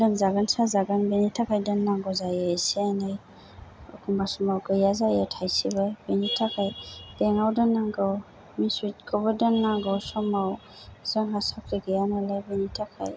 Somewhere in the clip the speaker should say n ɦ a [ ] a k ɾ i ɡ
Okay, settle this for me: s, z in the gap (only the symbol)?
s